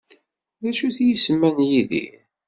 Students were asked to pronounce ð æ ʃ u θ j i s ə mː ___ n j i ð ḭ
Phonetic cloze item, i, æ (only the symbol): æ